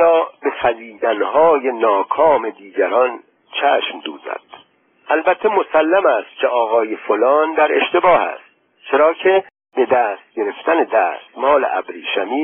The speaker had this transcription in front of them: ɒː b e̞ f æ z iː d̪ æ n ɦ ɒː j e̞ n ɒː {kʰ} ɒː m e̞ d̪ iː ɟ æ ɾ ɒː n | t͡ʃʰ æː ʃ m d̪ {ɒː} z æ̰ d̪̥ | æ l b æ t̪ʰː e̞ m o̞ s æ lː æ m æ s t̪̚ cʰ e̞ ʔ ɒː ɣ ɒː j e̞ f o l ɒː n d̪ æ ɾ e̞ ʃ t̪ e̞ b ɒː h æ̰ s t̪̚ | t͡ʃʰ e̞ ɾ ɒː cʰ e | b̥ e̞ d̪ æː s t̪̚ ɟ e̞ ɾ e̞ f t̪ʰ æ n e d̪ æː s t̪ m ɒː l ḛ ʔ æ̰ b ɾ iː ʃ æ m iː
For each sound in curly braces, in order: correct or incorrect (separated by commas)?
correct, incorrect